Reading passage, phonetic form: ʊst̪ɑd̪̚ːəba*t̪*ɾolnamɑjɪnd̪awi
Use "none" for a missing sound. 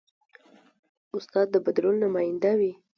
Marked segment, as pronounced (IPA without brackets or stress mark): d̪